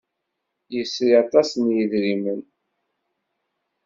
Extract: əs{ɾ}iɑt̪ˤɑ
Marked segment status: correct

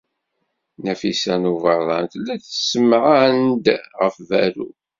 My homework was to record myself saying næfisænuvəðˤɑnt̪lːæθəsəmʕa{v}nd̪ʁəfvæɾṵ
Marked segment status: incorrect: none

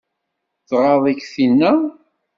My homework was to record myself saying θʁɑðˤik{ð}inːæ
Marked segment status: incorrect: θ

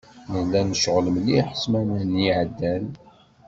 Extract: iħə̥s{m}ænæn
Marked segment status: correct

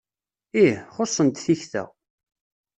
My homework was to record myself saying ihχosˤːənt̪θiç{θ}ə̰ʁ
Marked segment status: correct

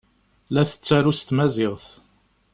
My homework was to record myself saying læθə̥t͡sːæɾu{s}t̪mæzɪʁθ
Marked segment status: correct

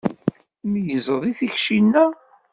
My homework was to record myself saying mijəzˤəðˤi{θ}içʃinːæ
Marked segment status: correct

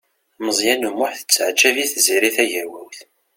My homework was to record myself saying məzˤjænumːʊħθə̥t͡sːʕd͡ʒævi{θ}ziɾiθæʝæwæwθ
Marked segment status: correct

